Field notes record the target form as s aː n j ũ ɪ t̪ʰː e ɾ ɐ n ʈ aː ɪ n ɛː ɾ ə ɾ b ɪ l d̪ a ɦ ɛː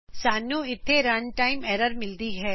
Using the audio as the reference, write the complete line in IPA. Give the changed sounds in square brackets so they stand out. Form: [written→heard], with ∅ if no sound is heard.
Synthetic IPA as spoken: s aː n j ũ ɪ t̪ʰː e ɾ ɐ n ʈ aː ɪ [n→m] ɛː ɾ ə ɾ [b→m] ɪ l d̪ [a→i] ɦ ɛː